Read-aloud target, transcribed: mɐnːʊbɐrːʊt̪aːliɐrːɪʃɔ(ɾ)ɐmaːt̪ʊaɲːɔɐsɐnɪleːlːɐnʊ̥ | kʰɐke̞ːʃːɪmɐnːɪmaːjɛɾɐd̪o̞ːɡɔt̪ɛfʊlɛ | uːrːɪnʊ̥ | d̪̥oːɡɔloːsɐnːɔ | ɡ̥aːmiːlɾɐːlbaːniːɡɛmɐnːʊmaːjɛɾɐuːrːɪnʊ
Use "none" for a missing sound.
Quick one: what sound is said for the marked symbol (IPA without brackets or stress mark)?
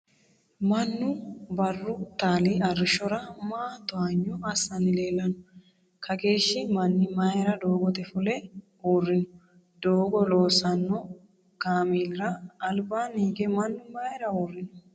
ɾ